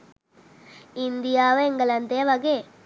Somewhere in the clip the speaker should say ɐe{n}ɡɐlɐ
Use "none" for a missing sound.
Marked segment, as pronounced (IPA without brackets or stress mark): ŋ